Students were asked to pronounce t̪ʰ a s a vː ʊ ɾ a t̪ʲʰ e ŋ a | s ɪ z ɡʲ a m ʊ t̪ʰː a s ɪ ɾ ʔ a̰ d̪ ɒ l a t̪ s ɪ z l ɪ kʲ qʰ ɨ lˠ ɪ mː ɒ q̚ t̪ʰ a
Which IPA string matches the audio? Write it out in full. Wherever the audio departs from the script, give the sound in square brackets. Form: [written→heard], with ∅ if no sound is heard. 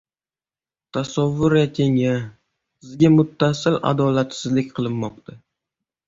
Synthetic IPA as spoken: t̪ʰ a s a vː ʊ ɾ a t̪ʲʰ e ŋ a | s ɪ z ɡʲ a m ʊ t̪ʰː a s ɪ [ɾ→l] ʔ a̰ d̪ ɒ l a t̪ s ɪ z l ɪ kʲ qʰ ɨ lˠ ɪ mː ɒ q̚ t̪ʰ a